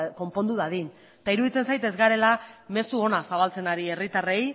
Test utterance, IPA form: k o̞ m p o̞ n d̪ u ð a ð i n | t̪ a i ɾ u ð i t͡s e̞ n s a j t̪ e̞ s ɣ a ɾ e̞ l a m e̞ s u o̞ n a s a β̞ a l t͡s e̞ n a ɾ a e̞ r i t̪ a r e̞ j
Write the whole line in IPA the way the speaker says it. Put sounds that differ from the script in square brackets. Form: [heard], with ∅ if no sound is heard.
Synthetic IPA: k o̞ m p o̞ n d̪ u ð a ð i n | t̪ a i ɾ u ð i t͡s e̞ n s a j t̪ e̞ [z] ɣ a ɾ e̞ l a m e̞ s u o̞ n a s a β̞ a l t͡s e̞ n a ɾ [i] e̞ r i t̪ a r e̞ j